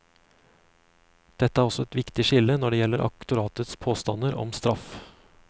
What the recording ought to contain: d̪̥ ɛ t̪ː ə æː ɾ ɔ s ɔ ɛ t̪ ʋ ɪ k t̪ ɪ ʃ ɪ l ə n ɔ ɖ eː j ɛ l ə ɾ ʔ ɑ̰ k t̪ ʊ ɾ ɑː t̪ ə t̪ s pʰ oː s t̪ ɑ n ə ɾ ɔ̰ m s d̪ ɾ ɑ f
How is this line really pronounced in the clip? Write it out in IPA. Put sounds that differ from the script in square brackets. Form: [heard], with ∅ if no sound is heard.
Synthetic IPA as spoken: d̪̥ ɛ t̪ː ə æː ɾ ɔ s ɔ ɛ t̪ ʋ ɪ k t̪ ɪ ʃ ɪ l ə n ɔ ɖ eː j ɛ l ə ɾ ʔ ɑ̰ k t̪ ʊ ɾ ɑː t̪ ə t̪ s pʰ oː s t̪ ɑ n ə ɾ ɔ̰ m s [t̪] ɾ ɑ f